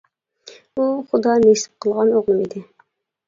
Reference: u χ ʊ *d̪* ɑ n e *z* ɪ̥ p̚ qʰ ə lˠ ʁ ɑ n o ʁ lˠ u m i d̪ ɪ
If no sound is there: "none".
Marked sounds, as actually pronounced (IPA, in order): d̪, s

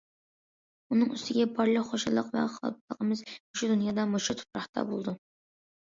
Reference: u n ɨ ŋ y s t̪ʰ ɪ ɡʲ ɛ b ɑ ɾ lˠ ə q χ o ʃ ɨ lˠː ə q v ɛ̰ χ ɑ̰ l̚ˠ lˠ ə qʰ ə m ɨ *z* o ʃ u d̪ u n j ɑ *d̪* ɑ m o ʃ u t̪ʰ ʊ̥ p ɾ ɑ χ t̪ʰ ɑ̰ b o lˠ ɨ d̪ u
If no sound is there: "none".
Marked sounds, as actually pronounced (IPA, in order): z, d̪

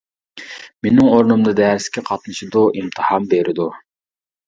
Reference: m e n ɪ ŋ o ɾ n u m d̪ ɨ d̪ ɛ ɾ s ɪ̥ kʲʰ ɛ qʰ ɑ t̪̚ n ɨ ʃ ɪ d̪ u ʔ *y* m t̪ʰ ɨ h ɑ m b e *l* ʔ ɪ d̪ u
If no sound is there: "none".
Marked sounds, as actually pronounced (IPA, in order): i, ɾ

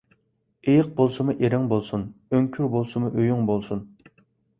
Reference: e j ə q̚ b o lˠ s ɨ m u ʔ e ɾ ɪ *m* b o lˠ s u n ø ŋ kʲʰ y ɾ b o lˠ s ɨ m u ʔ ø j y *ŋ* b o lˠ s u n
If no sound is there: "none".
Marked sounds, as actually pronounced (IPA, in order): ŋ, ŋ

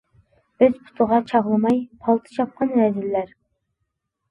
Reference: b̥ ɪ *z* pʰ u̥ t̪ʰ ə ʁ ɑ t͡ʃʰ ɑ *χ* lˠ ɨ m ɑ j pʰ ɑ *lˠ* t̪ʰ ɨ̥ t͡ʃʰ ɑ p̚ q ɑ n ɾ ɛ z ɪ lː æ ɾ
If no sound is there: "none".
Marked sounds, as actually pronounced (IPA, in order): z, ʁ, lˠ

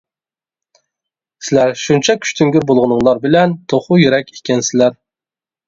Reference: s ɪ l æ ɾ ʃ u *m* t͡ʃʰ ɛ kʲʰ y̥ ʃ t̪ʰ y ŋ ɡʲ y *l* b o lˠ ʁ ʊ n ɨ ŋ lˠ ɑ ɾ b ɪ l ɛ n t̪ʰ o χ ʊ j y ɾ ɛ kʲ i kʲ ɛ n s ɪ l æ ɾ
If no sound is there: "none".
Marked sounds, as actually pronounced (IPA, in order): n, ɾ

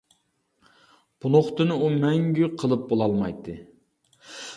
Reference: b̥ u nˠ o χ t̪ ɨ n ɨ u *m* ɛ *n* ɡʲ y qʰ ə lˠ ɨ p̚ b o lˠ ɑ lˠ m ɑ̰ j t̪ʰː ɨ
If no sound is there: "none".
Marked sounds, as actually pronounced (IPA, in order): m, ŋ

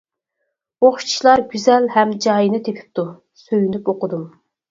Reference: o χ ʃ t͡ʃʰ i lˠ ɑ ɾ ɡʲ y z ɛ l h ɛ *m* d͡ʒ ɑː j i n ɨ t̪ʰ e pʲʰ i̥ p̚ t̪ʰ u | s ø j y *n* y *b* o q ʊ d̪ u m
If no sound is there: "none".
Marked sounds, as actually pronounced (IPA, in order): m, n, p

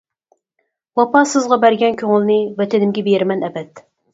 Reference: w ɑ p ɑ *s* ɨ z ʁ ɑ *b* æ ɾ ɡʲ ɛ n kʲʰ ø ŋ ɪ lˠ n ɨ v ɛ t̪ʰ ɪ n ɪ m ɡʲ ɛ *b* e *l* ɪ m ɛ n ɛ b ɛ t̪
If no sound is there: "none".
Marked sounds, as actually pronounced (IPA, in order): s, b, b, ɾ

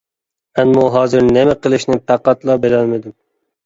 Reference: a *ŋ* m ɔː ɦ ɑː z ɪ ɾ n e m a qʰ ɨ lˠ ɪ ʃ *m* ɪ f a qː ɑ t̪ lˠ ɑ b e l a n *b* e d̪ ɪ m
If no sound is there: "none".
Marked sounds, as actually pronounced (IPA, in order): n, n, m

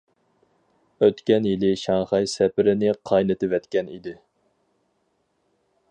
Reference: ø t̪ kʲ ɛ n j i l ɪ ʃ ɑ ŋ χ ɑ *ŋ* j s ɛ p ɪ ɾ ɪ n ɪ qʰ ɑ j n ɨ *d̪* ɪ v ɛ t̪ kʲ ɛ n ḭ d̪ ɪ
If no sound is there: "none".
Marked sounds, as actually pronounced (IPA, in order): none, t̪

